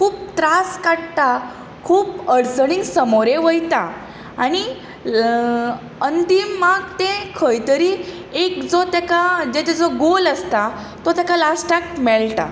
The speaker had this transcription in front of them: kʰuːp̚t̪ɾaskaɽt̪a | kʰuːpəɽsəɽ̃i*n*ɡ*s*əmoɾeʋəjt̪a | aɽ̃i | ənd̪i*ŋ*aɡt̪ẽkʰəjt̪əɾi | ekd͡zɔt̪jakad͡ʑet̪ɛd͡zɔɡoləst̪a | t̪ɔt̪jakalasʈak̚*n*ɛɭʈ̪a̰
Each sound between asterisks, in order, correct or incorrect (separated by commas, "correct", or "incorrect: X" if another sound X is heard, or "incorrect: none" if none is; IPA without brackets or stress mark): incorrect: ŋ, correct, incorrect: m, incorrect: m